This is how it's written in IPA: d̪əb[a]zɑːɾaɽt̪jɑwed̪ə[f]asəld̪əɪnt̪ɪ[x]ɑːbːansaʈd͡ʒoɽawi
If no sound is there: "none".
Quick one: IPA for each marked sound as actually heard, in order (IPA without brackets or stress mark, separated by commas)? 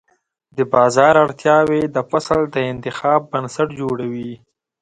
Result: ɑ, f, x